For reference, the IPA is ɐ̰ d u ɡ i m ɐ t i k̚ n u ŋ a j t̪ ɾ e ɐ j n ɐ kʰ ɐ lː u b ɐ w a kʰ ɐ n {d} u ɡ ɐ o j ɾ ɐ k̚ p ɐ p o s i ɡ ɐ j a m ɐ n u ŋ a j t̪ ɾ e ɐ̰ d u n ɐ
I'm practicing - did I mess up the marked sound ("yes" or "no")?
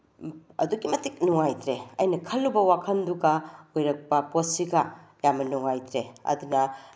no